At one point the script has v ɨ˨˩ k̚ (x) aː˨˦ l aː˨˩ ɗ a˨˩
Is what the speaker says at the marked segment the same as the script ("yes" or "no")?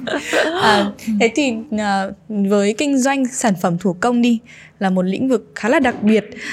yes